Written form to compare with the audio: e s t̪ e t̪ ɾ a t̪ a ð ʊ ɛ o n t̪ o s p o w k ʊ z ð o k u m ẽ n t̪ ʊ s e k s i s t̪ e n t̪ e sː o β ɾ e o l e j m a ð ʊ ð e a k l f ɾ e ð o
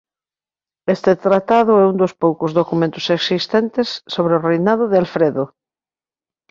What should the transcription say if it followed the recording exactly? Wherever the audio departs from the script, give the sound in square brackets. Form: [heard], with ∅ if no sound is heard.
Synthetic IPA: e s t̪ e t̪ ɾ a t̪ a ð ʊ ɛ [u] n [d̪] o s p o w k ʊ z ð o k u m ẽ n t̪ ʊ s e k s i s t̪ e n t̪ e sː o β ɾ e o [r] e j [n] a ð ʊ ð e a [∅] l f ɾ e ð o